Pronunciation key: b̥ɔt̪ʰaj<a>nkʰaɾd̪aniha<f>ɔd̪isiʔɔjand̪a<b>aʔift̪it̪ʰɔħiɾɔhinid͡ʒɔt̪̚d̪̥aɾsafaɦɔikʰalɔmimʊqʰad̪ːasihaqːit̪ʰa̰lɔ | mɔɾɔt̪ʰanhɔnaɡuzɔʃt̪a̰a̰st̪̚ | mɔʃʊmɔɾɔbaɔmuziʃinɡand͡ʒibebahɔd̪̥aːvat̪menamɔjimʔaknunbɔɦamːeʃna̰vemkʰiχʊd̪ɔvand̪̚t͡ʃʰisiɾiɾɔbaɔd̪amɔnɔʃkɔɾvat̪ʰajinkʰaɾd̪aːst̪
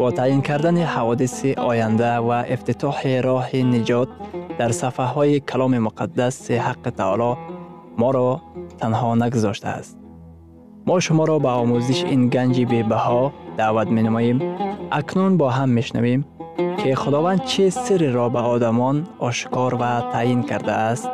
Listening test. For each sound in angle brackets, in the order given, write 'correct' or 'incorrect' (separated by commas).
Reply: incorrect, incorrect, incorrect